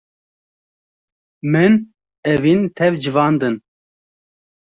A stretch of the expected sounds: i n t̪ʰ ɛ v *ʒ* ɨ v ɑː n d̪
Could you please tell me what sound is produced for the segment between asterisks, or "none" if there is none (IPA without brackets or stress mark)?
d͡ʒ